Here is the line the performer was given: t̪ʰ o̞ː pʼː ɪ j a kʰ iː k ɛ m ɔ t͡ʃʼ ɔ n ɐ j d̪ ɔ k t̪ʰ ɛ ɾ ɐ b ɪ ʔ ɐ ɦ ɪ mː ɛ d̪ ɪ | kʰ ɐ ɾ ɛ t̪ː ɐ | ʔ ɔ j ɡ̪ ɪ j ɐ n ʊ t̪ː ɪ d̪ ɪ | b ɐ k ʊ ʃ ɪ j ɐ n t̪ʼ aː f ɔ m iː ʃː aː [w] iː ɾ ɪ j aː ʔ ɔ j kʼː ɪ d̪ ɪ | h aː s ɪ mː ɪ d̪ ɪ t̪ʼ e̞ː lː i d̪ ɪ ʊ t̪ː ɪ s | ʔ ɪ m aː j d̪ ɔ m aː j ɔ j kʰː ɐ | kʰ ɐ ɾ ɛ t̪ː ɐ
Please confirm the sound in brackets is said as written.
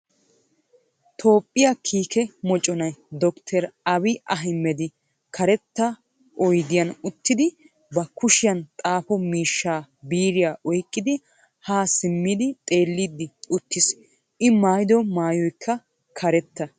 no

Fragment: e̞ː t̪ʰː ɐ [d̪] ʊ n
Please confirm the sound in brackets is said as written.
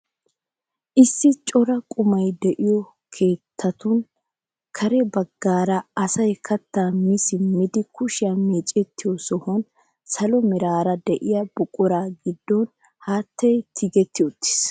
no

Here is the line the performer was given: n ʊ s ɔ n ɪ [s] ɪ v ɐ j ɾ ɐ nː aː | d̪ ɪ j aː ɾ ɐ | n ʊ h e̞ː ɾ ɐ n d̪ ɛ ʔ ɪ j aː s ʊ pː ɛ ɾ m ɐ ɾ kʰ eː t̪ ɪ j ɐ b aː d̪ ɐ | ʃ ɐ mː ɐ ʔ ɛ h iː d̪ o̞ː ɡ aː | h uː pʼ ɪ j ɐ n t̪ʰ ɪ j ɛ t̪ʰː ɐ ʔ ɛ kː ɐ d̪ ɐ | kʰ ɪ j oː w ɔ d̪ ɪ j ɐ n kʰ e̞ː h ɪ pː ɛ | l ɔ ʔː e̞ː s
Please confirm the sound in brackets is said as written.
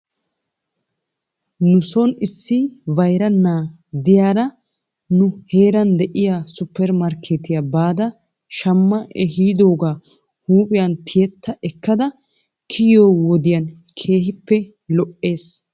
no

